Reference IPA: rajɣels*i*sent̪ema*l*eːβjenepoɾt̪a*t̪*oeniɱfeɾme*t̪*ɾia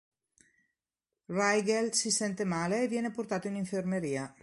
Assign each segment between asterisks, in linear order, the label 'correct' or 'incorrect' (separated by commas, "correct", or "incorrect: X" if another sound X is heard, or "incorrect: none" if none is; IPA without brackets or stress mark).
correct, correct, correct, incorrect: none